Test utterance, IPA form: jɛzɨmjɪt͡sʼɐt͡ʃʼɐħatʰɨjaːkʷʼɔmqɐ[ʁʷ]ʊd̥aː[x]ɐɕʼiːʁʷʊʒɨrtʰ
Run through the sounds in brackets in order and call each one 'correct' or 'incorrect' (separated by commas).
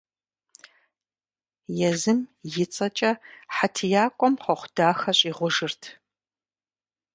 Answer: incorrect, correct